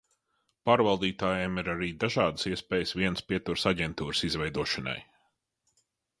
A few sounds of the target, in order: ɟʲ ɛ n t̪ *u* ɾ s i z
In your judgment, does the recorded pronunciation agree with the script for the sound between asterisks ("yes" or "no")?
no